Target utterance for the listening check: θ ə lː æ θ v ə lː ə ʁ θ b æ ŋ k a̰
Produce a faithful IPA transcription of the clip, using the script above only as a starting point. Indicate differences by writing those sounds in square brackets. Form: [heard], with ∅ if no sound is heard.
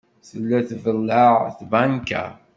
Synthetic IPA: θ ə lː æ θ v ə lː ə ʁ θ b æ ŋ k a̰